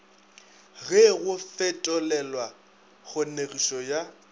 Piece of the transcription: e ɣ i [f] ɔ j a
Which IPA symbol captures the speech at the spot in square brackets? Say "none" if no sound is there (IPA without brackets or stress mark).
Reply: ʃ